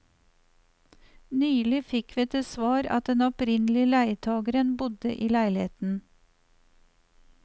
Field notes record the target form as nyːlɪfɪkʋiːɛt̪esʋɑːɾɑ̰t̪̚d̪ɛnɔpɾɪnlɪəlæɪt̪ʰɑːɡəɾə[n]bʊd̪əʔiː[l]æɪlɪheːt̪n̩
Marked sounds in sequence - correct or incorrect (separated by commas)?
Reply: correct, correct